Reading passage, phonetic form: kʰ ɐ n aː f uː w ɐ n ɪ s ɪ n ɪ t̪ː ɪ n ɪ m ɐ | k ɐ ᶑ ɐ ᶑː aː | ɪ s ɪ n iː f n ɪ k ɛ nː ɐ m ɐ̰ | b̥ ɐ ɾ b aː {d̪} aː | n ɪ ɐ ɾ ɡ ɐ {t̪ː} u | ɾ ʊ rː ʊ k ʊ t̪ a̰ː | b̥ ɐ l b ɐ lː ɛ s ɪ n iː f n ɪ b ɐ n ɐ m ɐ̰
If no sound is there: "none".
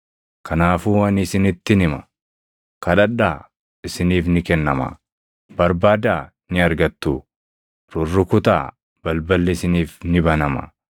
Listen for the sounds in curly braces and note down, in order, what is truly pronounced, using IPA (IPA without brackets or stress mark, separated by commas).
d̪, t̪ː